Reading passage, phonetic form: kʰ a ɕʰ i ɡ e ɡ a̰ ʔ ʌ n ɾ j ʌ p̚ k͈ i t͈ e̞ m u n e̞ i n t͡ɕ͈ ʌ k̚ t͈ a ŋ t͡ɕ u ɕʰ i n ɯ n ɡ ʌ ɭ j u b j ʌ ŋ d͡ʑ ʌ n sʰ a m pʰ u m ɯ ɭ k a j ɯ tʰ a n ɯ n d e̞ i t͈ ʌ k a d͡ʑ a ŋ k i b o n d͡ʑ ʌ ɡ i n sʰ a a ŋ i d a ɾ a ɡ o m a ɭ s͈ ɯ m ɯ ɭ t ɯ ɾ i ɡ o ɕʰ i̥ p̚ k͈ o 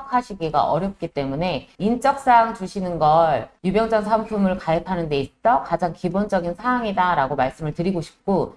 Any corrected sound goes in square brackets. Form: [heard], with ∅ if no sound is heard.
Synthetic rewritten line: kʰ a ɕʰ i ɡ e ɡ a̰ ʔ ʌ [∅] ɾ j ʌ p̚ k͈ i t͈ e̞ m u n e̞ i n t͡ɕ͈ ʌ k̚ [s͈] a ŋ t͡ɕ u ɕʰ i n ɯ n ɡ ʌ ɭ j u b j ʌ ŋ d͡ʑ ʌ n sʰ a m pʰ u m ɯ ɭ k a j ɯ [pʰ] a n ɯ n d e̞ i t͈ ʌ k a d͡ʑ a ŋ k i b o n d͡ʑ ʌ ɡ i n sʰ a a ŋ i d a ɾ a ɡ o m a ɭ s͈ ɯ m ɯ ɭ t ɯ ɾ i ɡ o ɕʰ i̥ p̚ k͈ o